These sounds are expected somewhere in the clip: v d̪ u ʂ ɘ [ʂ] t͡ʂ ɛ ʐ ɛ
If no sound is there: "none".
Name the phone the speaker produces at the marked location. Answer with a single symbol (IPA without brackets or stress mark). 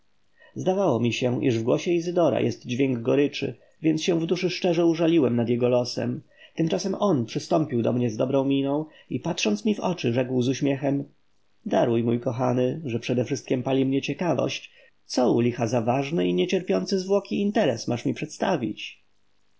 ʂ